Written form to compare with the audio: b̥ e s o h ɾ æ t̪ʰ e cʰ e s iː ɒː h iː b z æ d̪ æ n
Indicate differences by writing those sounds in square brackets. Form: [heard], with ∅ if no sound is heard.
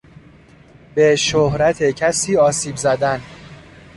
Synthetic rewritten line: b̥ e [ʃ] o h ɾ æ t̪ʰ e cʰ [æ] s iː ɒː [s] iː b z æ d̪ æ n